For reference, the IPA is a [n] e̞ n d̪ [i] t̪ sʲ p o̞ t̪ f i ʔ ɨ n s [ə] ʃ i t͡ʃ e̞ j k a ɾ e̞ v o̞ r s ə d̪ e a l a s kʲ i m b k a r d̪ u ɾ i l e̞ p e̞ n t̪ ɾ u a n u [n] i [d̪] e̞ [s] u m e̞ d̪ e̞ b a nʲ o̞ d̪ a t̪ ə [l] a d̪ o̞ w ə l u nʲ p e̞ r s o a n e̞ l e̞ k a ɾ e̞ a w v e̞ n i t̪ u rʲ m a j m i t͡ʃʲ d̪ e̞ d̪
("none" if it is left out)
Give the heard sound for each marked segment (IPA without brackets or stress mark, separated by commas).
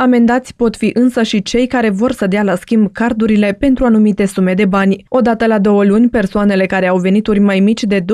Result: m, a, ə, m, t̪, s, l